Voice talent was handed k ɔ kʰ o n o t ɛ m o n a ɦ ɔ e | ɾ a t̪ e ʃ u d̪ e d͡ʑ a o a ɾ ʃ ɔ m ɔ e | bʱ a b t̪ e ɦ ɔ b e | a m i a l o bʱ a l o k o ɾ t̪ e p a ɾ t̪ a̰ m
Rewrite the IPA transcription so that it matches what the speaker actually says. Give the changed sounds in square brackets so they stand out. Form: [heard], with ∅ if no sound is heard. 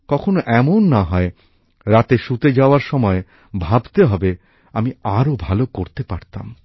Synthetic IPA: k ɔ kʰ o n o [ʔ] ɛ m o [nː] a ɦ ɔ e | ɾ a t̪ e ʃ u [t̪] e d͡ʑ a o a ɾ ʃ ɔ m ɔ e | bʱ a b t̪ e ɦ ɔ b e | a m i a [ɾ] o bʱ a l o k o ɾ t̪ e p a ɾ t̪ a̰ m